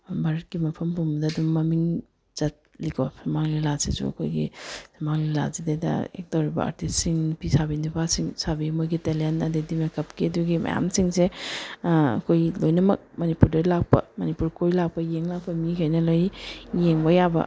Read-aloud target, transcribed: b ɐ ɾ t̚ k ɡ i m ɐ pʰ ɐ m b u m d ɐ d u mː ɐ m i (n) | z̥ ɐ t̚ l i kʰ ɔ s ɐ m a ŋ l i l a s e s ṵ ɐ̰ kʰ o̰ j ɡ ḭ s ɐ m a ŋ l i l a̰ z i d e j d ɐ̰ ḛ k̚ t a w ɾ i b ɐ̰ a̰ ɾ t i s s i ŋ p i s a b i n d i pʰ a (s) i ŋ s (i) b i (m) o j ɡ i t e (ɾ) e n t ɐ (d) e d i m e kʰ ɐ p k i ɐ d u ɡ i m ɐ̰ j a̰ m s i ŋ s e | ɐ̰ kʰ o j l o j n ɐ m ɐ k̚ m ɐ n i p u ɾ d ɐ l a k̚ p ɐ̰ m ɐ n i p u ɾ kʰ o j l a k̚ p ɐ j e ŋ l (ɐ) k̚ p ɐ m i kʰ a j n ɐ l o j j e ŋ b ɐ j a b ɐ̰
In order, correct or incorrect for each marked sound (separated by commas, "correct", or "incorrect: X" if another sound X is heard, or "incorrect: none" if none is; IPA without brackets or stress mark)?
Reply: incorrect: ŋ, correct, incorrect: a, correct, incorrect: l, correct, incorrect: a